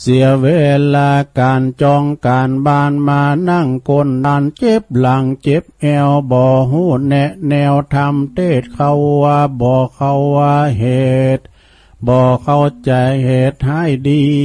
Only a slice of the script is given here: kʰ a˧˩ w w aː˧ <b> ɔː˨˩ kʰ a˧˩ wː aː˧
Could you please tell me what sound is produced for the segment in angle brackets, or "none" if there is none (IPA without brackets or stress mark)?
b